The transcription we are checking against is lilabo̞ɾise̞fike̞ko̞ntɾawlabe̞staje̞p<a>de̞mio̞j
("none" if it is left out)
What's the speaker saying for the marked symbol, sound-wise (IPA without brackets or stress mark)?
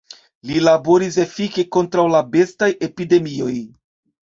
i